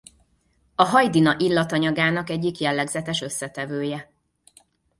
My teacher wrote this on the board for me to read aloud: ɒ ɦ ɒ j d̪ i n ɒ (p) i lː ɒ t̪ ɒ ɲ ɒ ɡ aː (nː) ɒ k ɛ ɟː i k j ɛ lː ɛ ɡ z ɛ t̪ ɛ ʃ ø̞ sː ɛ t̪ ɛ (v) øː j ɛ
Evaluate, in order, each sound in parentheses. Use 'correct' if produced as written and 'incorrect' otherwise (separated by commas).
incorrect, incorrect, correct